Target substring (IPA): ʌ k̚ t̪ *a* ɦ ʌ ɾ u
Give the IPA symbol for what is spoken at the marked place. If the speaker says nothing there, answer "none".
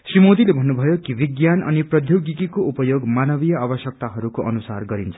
a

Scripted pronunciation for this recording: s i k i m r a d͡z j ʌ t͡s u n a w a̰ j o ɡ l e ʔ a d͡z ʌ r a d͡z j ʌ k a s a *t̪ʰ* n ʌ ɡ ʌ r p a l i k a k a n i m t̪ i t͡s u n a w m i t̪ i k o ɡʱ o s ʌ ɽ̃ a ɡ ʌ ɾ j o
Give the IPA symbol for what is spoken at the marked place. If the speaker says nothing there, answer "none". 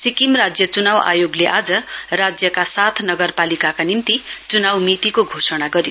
t̪ʰ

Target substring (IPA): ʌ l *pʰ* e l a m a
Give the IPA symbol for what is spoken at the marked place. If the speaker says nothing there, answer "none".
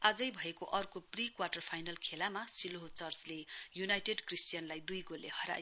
kʰ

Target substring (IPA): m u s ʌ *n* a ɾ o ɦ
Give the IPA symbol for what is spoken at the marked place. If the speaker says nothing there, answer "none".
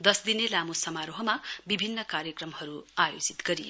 m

